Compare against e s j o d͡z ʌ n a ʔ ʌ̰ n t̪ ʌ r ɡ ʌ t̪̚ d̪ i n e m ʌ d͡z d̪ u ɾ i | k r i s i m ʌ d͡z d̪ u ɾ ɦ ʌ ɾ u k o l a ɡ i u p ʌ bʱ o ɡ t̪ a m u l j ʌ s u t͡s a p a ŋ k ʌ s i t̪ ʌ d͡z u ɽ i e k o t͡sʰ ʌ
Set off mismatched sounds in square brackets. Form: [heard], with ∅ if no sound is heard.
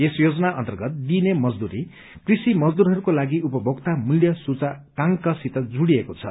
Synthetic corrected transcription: e s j o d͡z ʌ n a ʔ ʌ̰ n t̪ ʌ r ɡ ʌ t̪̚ d̪ i n e m ʌ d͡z d̪ u ɾ i | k r i s i m ʌ d͡z d̪ u ɾ ɦ ʌ ɾ u k o l a ɡ i u p ʌ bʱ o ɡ t̪ a m u l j ʌ s u t͡s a [k] a ŋ k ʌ s i t̪ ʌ d͡z u ɽ i e k o t͡sʰ ʌ